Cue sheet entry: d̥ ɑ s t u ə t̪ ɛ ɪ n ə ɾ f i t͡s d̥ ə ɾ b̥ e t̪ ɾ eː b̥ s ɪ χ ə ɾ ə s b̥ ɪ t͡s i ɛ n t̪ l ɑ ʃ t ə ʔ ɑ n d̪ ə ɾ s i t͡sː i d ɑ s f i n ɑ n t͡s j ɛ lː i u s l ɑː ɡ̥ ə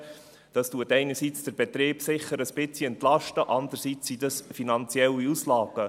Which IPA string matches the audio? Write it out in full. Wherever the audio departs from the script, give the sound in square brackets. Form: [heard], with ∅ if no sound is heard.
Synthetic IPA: d̥ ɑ s t u ə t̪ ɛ ɪ n ə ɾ [s] i t͡s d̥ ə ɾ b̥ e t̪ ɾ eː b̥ s ɪ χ ə ɾ ə s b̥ ɪ t͡s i ɛ n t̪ l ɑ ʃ t ə ʔ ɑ n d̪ ə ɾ s i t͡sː i d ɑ s f i n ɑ n t͡s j ɛ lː i u s l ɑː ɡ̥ ə